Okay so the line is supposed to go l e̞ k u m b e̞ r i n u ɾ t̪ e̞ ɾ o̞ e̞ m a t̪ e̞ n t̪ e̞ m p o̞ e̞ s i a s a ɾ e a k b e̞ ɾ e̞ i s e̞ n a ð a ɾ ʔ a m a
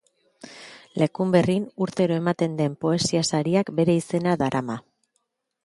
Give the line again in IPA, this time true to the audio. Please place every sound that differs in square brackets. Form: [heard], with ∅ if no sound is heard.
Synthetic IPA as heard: l e̞ k u m b e̞ r i n u ɾ t̪ e̞ ɾ o̞ e̞ m a t̪ e̞ n [d̪] e̞ m p o̞ e̞ s i a s a ɾ [i] a k b e̞ ɾ e̞ i s e̞ n a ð a ɾ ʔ a m a